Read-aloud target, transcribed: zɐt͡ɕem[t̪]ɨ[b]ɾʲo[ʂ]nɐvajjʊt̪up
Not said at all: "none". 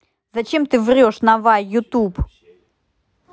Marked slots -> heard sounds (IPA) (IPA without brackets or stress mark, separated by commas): t̪, v, ʂ